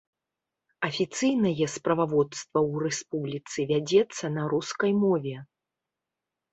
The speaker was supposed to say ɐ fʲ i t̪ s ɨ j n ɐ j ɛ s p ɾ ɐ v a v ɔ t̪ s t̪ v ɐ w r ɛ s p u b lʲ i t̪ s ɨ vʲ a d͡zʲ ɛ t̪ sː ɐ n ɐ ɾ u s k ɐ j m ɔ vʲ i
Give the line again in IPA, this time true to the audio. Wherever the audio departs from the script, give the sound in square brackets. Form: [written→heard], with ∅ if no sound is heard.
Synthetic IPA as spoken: ɐ fʲ i t̪ s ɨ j n ɐ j ɛ s p ɾ ɐ v a v ɔ t̪ s t̪ v ɐ w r ɛ s p u b lʲ i t̪ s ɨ vʲ a d͡zʲ ɛ t̪ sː ɐ n ɐ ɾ u s k ɐ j m ɔ vʲ [i→ɛ]